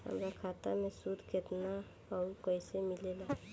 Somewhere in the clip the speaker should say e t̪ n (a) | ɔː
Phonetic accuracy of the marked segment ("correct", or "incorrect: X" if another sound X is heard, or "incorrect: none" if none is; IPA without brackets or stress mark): correct